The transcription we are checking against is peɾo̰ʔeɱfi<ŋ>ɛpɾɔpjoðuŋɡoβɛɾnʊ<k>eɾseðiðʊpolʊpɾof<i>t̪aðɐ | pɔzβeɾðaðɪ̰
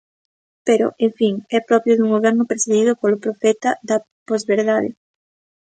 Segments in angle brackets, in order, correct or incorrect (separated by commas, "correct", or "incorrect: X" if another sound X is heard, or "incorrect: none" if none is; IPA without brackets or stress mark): correct, incorrect: p, incorrect: ɛ